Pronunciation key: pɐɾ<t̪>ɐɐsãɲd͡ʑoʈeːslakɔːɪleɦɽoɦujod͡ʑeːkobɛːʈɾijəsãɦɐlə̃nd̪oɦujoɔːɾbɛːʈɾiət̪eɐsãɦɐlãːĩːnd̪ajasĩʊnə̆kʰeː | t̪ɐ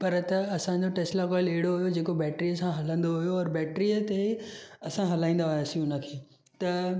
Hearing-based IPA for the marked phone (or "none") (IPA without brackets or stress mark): t̪